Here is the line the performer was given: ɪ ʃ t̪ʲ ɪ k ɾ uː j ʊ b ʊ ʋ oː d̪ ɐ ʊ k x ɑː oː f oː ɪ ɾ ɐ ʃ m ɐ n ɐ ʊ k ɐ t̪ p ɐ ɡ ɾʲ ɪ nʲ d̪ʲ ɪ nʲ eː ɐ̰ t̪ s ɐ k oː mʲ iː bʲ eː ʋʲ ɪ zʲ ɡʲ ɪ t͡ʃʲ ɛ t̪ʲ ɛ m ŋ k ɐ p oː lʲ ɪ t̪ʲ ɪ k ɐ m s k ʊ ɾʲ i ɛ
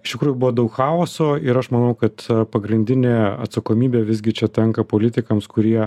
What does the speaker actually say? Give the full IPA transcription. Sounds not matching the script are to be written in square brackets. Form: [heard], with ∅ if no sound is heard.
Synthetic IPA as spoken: ɪ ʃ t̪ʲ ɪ k ɾ uː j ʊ b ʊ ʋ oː d̪ ɐ ʊ k x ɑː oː [s] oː ɪ ɾ ɐ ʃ m ɐ n ɐ ʊ k ɐ t̪ p ɐ ɡ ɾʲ ɪ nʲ d̪ʲ ɪ nʲ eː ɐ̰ t̪ s ɐ k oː mʲ iː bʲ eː ʋʲ ɪ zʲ ɡʲ ɪ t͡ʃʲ ɛ t̪ʲ ɛ [∅] ŋ k ɐ p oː lʲ ɪ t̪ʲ ɪ k ɐ m s k ʊ ɾʲ i ɛ